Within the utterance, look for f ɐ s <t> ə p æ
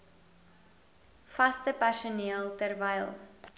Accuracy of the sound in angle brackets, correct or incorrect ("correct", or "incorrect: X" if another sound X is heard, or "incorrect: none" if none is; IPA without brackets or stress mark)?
correct